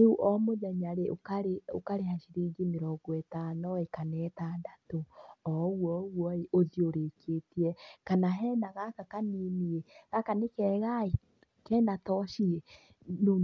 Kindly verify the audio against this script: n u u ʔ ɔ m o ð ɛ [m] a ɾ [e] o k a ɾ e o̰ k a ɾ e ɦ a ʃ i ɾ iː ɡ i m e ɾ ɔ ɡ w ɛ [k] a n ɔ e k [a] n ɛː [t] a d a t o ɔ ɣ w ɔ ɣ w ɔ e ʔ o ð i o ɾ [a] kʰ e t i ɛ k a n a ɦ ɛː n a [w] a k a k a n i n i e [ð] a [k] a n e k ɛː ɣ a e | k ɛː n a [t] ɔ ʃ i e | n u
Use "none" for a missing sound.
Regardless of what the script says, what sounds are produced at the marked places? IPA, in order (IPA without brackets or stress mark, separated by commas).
ɲ, e, t, a, t, e, ɣ, ɣ, k, t